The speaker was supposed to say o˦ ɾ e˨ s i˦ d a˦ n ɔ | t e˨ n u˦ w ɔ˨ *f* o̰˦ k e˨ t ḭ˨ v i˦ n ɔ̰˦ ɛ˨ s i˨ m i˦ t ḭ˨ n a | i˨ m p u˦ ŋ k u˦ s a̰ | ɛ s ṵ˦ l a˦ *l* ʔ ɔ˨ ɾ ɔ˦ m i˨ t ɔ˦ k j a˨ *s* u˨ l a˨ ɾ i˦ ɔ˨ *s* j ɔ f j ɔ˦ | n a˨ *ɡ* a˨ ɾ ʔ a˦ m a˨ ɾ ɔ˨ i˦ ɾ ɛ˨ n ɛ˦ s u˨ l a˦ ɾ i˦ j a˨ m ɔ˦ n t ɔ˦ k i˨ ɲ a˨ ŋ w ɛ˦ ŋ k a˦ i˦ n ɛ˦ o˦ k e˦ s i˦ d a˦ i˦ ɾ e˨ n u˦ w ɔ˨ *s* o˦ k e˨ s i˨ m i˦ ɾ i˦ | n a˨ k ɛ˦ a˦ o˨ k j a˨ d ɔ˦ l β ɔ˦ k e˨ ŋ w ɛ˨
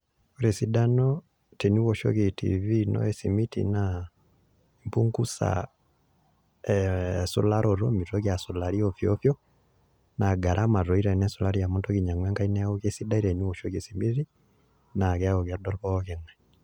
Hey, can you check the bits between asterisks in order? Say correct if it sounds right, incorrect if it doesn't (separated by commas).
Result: incorrect, incorrect, correct, incorrect, correct, incorrect